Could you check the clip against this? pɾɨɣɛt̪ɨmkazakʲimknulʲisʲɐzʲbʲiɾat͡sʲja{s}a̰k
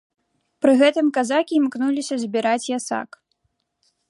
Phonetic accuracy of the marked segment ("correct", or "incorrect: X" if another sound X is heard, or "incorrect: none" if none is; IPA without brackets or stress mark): correct